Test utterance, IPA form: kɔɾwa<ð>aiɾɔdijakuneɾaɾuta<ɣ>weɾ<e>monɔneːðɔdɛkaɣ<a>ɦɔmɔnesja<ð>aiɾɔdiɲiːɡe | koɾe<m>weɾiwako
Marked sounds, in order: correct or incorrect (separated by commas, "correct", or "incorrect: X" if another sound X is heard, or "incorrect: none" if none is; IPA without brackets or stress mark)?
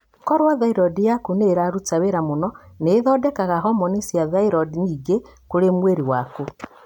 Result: correct, incorrect: none, incorrect: a, correct, correct, correct